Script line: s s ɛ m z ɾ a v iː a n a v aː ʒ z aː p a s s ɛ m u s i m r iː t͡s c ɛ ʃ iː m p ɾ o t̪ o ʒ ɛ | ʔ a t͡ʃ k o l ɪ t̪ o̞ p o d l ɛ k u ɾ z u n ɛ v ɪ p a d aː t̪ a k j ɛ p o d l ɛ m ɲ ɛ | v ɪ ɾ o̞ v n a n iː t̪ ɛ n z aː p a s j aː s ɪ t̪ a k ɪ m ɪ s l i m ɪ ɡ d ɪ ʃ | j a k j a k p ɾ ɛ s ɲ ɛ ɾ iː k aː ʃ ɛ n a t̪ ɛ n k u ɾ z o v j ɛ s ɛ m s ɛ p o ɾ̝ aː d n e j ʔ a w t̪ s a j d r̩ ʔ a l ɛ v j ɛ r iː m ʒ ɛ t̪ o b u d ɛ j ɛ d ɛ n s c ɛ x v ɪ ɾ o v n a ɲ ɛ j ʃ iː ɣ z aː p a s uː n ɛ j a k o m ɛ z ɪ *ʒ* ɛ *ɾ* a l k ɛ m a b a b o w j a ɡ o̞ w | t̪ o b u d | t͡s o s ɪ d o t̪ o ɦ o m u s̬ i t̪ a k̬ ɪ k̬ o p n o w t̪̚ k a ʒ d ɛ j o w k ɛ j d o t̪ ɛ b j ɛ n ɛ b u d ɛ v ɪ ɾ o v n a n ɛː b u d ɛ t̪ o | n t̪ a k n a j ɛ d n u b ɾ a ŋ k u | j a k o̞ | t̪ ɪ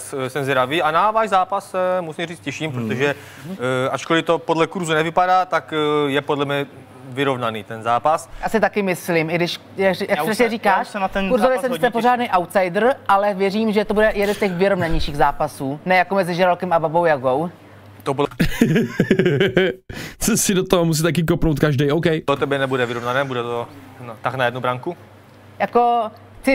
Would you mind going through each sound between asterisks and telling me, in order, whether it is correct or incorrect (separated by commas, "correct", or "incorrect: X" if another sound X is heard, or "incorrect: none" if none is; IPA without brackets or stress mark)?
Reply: correct, correct